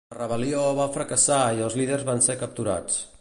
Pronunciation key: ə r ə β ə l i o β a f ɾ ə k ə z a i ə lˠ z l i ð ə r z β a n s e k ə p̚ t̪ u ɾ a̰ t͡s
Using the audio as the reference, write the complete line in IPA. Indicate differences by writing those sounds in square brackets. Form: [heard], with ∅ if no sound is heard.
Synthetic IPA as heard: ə r ə β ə l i o β a f ɾ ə k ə [s] a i ə lˠ z l i ð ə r z β a n s e k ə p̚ t̪ u ɾ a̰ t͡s